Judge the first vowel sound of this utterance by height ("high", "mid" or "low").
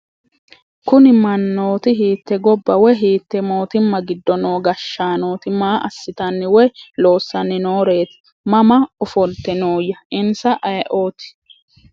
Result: high